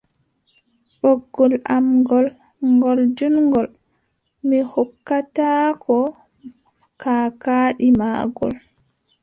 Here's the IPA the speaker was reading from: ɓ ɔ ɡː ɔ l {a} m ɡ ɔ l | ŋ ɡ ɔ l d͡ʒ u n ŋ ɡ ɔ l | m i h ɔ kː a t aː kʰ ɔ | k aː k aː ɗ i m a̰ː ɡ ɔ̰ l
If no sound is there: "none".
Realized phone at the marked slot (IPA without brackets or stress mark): a